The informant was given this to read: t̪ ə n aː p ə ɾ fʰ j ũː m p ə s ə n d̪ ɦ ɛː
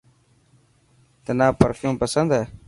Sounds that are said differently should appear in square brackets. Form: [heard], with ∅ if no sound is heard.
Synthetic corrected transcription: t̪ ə n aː p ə ɾ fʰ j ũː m p ə s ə n d̪ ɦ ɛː